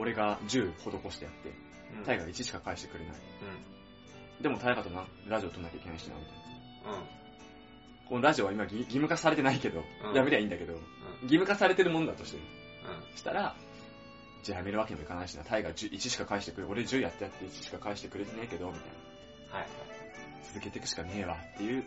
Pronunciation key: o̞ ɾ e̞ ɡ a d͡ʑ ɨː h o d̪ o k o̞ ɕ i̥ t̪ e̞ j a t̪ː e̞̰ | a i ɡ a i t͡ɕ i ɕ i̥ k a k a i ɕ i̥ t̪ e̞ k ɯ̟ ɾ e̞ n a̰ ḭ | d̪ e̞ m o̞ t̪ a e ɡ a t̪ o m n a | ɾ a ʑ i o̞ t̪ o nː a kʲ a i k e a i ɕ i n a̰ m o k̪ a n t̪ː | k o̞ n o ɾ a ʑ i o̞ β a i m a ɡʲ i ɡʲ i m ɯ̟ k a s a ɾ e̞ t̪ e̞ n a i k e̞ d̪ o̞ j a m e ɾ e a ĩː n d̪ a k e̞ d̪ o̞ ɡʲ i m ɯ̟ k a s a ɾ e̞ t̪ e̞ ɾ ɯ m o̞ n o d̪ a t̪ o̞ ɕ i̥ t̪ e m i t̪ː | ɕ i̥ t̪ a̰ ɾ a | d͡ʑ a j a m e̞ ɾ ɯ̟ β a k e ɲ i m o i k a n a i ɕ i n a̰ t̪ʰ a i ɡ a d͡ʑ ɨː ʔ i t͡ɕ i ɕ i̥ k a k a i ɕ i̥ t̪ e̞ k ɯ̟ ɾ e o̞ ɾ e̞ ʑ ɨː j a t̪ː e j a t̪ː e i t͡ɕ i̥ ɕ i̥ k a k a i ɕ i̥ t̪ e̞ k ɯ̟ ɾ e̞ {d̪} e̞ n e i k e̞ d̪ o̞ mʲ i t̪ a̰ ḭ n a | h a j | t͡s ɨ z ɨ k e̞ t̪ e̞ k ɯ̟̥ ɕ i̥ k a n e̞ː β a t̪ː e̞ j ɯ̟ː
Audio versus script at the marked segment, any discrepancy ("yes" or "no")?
yes